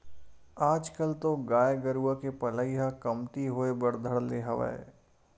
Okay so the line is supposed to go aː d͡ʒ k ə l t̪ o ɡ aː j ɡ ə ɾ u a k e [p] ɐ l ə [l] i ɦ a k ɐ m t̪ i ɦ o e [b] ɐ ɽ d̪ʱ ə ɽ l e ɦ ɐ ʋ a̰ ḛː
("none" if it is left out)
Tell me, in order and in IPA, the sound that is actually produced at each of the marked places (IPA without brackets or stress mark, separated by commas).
p, none, b